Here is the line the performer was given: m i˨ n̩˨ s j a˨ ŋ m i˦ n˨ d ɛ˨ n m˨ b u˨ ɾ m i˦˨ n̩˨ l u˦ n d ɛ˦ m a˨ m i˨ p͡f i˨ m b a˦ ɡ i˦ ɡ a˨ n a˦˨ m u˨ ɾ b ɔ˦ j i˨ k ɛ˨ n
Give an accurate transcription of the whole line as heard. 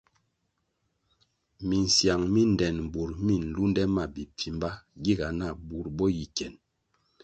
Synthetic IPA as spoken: m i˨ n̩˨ s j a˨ ŋ m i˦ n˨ d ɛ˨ n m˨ b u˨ ɾ m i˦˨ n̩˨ l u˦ n d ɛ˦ m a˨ b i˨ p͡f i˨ m b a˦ ɡ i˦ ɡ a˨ n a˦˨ b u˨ ɾ b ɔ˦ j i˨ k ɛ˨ n